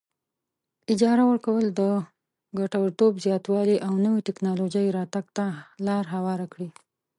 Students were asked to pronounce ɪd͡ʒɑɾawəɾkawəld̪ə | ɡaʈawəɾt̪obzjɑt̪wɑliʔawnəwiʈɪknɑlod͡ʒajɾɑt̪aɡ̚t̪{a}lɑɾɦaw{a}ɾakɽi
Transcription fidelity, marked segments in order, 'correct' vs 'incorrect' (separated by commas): correct, incorrect